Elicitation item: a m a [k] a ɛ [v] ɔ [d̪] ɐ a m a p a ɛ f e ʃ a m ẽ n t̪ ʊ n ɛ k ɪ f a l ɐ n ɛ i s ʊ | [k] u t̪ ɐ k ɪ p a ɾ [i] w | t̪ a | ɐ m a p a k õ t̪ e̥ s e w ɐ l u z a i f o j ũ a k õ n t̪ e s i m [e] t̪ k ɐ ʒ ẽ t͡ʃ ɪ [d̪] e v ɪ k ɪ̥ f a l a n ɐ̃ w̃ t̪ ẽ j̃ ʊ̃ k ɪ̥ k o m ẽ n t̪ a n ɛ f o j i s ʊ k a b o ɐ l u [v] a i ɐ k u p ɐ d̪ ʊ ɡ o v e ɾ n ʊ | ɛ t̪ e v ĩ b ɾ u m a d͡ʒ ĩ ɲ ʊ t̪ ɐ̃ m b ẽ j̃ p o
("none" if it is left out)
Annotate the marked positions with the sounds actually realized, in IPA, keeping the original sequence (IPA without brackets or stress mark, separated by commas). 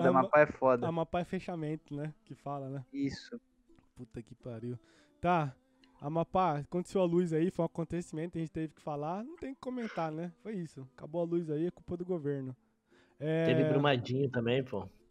p, f, d̪, p, i, ẽ, t̪, z